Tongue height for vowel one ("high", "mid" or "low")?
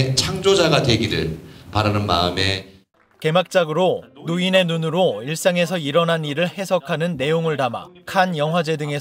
low